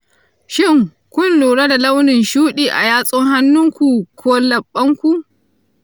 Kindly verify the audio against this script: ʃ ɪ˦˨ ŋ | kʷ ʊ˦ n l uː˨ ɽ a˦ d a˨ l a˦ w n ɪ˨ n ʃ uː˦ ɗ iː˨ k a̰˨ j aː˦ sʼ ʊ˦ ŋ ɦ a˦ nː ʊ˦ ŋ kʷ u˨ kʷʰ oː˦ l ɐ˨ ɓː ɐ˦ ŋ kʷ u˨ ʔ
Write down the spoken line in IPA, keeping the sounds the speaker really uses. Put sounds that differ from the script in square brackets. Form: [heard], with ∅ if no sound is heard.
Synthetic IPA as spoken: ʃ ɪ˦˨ ŋ | kʷ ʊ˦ n l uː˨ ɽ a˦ d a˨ l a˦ w n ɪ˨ n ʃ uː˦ ɗ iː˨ [ʔ] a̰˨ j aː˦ sʼ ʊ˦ ŋ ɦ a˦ nː ʊ˦ ŋ kʷ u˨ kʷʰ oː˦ l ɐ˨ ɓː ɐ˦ ŋ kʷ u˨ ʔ